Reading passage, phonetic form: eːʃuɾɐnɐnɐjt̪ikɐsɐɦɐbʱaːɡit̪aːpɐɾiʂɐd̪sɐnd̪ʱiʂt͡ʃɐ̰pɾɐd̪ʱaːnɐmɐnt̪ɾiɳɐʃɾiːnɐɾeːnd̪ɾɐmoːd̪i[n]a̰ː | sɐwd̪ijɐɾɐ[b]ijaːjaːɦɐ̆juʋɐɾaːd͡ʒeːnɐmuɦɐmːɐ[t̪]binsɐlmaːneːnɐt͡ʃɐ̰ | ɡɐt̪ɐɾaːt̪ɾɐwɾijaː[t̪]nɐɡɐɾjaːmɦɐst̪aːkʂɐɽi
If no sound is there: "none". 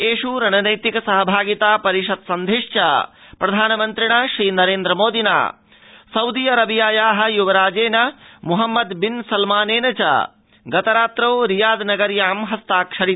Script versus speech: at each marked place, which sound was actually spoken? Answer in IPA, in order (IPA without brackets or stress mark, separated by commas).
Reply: n, b, d̪, d̪